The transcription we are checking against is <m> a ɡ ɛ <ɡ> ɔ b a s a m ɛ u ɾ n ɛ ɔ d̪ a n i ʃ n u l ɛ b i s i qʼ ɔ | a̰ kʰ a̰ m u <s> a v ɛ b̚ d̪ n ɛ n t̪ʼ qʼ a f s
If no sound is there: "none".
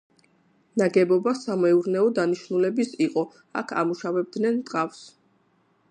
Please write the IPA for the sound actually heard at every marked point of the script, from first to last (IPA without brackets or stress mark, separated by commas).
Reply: n, b, ʃ